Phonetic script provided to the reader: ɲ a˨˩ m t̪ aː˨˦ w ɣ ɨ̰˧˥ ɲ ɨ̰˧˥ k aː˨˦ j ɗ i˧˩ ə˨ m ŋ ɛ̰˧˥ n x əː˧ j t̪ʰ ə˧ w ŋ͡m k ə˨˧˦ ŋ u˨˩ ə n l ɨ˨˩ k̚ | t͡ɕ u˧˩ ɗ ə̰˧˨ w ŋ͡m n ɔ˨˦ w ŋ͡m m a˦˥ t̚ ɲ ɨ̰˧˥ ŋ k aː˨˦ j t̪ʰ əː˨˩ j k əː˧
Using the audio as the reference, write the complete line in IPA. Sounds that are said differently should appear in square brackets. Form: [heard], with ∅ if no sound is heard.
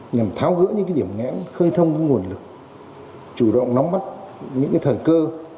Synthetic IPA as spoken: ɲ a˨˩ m [t̪ʰ] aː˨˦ w ɣ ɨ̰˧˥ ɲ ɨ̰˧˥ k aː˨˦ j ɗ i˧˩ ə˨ m ŋ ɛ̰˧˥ n x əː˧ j t̪ʰ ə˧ w ŋ͡m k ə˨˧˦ ŋ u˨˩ ə n l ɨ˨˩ k̚ | t͡ɕ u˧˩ ɗ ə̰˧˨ w ŋ͡m n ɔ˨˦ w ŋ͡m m a˦˥ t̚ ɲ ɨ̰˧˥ ŋ k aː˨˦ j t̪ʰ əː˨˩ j k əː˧